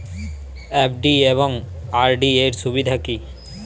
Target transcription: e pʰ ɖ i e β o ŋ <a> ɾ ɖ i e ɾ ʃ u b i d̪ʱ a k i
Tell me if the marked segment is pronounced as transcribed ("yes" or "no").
yes